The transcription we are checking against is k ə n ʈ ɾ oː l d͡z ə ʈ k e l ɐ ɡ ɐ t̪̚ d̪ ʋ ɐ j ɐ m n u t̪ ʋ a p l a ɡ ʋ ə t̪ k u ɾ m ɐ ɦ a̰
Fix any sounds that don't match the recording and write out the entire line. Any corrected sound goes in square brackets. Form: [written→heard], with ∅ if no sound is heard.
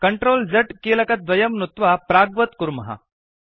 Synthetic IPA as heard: k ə [n→ɳ] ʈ ɾ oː l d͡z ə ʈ k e l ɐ [ɡ→k] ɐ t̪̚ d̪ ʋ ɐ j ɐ m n u t̪ ʋ a p [l→ɾ] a ɡ ʋ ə t̪ k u ɾ m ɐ ɦ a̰